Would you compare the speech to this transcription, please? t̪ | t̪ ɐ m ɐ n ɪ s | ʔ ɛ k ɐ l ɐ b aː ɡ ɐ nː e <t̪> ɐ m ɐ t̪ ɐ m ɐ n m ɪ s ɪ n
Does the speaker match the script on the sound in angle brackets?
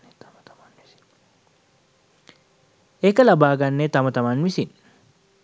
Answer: yes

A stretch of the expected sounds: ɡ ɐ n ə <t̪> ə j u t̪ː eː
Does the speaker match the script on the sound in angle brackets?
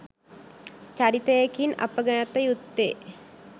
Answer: yes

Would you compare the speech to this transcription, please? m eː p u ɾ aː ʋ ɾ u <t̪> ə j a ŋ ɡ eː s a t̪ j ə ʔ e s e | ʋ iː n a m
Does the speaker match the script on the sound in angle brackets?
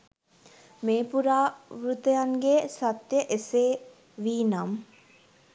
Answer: yes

